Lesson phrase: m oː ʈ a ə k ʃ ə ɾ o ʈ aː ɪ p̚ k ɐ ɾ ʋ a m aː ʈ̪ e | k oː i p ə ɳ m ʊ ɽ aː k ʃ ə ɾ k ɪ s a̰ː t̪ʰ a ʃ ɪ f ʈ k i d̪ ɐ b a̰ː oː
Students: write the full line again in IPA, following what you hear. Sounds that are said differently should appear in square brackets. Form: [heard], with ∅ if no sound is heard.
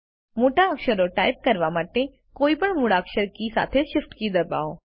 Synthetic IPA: m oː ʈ a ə k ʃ ə ɾ o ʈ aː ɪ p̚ k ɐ ɾ ʋ a m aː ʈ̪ e | k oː i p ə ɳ m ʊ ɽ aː k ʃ ə ɾ k [i] s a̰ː t̪ʰ [e] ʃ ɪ f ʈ k i d̪ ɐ b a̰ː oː